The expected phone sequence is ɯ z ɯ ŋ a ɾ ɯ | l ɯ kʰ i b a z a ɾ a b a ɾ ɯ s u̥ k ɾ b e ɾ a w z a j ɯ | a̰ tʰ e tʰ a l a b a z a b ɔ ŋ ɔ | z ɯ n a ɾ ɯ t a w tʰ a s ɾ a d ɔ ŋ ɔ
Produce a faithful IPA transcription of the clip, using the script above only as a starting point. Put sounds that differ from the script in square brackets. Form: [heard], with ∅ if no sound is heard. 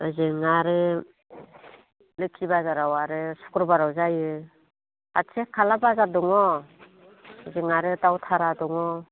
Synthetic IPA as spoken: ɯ z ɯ ŋ a ɾ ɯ | l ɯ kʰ i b a z a ɾ a [w] a ɾ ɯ s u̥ k ɾ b [a] ɾ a w z a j ɯ | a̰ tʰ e [kʰ] a l a b a z a [d] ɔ ŋ ɔ | z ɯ [ŋ] a ɾ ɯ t a w tʰ a [∅] ɾ a d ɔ ŋ ɔ

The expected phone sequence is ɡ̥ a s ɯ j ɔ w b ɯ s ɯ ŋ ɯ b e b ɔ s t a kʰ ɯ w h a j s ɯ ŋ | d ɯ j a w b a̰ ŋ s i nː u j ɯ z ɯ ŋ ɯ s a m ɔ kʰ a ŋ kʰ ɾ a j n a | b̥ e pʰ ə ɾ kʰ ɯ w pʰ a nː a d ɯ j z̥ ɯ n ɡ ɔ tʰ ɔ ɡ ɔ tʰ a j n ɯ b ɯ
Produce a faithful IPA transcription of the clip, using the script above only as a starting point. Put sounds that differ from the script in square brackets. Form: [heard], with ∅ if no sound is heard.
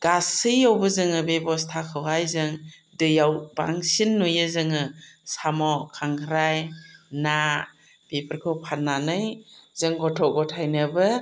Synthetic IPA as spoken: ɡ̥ a s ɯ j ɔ w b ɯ [z] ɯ ŋ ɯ b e b ɔ s [tʰ] a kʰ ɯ w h a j [z] ɯ ŋ | d ɯ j a w b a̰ ŋ s i nː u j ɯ z ɯ ŋ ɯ s a m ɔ kʰ a ŋ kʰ ɾ a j n a | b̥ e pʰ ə ɾ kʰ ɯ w pʰ a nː a [n] ɯ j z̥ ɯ [ŋ] ɡ ɔ tʰ ɔ ɡ ɔ tʰ a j n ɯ b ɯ

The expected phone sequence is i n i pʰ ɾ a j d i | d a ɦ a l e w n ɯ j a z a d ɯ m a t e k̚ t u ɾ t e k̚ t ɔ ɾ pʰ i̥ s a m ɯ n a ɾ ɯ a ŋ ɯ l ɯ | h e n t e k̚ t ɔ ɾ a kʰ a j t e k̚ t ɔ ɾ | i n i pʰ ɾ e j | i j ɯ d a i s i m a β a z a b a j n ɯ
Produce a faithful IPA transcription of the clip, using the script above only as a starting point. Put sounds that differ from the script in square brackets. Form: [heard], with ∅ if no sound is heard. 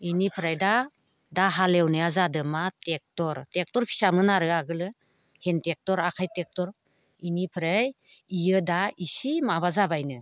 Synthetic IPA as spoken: i n i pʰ ɾ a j d [a] | d a ɦ a l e w n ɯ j a z a d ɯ m a t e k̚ t [ɔ] ɾ t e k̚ t ɔ ɾ pʰ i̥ s a m ɯ n a ɾ ɯ a [ɡ] ɯ l ɯ | h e n t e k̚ t ɔ ɾ a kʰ a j t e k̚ t ɔ ɾ | i n i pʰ ɾ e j | i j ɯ d a i s i m a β a z a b a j n ɯ

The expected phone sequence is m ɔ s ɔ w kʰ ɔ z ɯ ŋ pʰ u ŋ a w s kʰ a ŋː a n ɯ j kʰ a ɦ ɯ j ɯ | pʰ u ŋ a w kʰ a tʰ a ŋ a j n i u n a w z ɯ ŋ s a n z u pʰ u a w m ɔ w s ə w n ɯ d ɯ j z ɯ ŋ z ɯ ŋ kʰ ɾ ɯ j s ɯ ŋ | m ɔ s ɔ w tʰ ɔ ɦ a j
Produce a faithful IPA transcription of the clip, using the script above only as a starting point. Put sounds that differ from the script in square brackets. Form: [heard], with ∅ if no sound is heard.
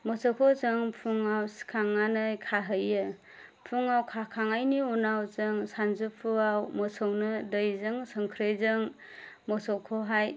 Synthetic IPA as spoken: m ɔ s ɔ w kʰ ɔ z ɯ ŋ pʰ u ŋ a w s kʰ a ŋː a n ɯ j kʰ a ɦ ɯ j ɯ | pʰ u ŋ a w kʰ a [kʰ] a ŋ a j n i u n a w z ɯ ŋ s a n z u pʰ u a w m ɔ [∅] s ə w n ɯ d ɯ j z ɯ ŋ [s] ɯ ŋ kʰ ɾ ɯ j [z] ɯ ŋ | m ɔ s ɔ w [kʰ] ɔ ɦ a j

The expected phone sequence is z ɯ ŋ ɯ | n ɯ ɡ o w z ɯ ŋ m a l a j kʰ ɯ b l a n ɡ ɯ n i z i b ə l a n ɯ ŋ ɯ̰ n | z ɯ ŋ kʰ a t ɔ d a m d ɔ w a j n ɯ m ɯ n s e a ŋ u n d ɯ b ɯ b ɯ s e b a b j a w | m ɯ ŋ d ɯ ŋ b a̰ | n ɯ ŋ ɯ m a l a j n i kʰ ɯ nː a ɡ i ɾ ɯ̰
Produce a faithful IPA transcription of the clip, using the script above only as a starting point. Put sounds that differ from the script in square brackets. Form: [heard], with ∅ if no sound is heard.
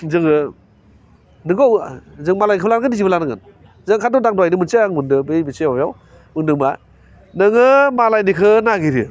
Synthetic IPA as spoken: z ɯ ŋ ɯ | n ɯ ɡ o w z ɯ ŋ m a l a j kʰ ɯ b l a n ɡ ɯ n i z i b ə l a n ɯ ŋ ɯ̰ n | z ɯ ŋ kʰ a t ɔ d a [ŋ] d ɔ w a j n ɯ m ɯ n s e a ŋ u n d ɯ b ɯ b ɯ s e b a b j a w | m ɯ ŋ d ɯ ŋ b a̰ | n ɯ ŋ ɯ m a l a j n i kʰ ɯ [n] a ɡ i ɾ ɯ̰

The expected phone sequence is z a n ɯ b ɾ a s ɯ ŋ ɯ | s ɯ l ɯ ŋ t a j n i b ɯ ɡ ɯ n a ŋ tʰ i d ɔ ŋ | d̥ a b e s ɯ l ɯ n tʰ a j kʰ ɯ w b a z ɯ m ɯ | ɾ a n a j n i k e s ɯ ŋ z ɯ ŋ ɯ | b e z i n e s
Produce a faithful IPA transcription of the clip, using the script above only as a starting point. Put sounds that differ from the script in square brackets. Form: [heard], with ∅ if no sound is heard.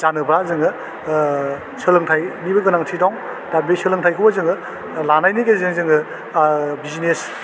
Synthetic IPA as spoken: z a n ɯ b ɾ a [z] ɯ ŋ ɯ | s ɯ l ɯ ŋ [tʰ] a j n i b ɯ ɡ ɯ n a ŋ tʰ i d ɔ ŋ | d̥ a b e s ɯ l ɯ [ŋ] tʰ a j kʰ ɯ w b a z ɯ [ŋ] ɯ | [l] a n a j n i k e [z] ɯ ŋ z ɯ ŋ ɯ | b [i] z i n e s

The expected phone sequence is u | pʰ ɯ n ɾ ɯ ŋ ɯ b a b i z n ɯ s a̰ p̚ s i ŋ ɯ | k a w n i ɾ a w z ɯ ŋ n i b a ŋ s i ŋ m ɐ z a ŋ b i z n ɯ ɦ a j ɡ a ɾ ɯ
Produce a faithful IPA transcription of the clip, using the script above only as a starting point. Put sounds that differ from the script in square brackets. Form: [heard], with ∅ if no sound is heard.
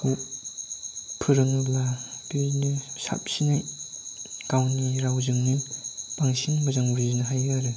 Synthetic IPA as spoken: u | pʰ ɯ [∅] ɾ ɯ ŋ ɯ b a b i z n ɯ s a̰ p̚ s i [n] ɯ | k a w n i ɾ a w z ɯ ŋ n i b a ŋ s i ŋ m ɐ z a ŋ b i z n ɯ ɦ a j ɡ a ɾ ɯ

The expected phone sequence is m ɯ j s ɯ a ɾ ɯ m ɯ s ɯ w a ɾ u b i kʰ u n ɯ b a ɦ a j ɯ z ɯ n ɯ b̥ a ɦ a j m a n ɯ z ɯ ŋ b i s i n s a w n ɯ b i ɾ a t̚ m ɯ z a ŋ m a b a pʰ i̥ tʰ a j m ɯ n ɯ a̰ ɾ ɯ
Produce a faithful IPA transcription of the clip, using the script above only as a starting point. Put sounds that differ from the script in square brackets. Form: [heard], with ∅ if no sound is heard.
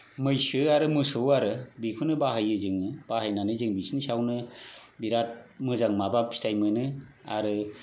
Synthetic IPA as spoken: m ɯ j s ɯ a ɾ ɯ m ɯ s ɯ w a ɾ [ɯ] b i kʰ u n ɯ b a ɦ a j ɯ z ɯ [ŋ] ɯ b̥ a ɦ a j [n] a n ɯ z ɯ ŋ b i s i n s a w n ɯ b i ɾ a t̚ m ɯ z a ŋ m a b a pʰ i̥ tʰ a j m ɯ n ɯ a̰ ɾ ɯ

